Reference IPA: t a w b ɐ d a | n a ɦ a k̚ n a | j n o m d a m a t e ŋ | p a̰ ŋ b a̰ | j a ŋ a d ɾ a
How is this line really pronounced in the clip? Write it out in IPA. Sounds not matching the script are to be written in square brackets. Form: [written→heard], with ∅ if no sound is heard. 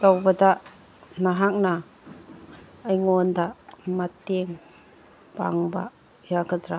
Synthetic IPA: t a w b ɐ d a | n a ɦ a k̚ n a | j [n→ŋ] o [m→n] d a m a t e ŋ | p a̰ ŋ b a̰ | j a [ŋ→ɡ] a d ɾ a